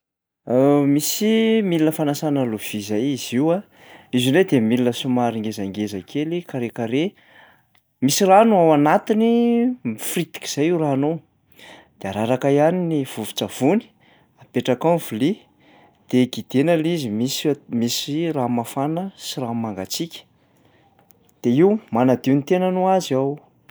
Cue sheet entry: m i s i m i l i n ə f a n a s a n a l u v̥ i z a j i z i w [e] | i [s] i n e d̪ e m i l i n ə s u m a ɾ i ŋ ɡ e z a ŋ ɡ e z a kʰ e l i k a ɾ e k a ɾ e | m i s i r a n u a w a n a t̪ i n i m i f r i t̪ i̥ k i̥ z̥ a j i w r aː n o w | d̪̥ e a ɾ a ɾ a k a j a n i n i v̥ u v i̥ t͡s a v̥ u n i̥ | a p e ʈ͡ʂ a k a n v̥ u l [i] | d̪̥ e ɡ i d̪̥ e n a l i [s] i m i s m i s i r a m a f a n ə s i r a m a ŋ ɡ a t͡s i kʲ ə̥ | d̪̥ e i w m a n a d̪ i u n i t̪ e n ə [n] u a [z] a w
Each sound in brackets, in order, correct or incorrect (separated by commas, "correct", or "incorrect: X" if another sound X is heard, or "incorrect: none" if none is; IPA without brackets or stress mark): incorrect: a, incorrect: z, correct, incorrect: z, correct, correct